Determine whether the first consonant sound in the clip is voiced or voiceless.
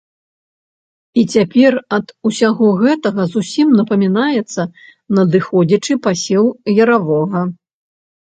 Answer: voiceless